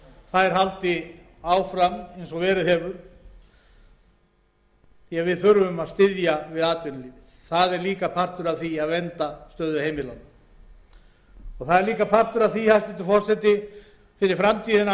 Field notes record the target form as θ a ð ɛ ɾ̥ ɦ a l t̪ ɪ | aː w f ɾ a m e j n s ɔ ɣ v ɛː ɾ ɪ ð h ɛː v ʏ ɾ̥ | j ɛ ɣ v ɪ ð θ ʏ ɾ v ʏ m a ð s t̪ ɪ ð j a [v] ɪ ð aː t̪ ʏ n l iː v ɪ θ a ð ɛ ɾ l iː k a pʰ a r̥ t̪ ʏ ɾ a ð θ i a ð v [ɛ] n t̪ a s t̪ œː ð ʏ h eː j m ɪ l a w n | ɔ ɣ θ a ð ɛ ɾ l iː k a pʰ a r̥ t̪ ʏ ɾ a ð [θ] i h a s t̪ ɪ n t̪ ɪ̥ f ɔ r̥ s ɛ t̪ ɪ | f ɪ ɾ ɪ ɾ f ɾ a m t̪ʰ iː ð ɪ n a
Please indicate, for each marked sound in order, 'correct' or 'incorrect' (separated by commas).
correct, correct, correct